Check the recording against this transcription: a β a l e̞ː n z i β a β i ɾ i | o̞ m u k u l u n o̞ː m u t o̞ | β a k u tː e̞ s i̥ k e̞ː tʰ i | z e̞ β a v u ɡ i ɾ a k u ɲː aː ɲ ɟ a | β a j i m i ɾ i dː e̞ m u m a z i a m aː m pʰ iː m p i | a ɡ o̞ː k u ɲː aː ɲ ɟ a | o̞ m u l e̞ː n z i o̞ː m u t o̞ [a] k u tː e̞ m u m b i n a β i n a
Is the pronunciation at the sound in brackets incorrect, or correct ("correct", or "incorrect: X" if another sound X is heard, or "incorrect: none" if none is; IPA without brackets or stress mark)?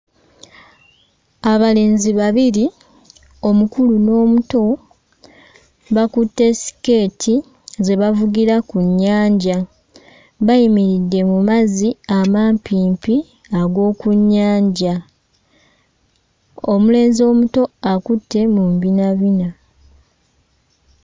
correct